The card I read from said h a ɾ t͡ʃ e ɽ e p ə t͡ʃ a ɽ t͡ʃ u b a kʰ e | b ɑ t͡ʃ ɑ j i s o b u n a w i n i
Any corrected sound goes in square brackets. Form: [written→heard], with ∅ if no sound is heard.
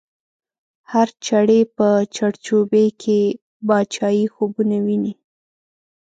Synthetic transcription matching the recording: h a ɾ t͡ʃ [e→a] ɽ e p ə t͡ʃ a ɽ t͡ʃ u b [a→e] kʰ e | b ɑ t͡ʃ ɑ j i [s→x] o b u n a w i n i